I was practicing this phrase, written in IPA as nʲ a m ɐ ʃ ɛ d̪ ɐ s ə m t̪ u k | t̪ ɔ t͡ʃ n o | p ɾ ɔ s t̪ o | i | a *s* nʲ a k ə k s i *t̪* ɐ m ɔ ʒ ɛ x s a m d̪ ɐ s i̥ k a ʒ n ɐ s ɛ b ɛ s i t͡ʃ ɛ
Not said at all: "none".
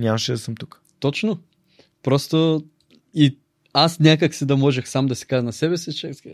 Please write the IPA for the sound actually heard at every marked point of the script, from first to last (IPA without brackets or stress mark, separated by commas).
s, d̪